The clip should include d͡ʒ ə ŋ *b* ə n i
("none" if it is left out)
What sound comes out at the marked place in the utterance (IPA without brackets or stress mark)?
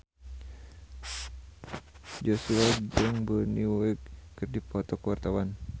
b